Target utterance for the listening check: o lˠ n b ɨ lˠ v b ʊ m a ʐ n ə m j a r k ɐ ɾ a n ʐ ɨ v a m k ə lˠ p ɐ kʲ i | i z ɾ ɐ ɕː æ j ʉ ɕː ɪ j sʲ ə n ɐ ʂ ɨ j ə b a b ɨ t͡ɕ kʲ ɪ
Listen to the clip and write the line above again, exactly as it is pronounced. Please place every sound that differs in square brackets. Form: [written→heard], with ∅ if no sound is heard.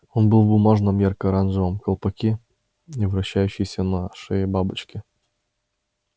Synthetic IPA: o [lˠ→∅] n b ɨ lˠ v b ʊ m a ʐ n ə m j a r k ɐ ɾ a n ʐ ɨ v [a→ə] m k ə lˠ p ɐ kʲ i | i [z→v] ɾ ɐ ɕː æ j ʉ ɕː ɪ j sʲ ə n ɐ ʂ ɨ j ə b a b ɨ t͡ɕ kʲ ɪ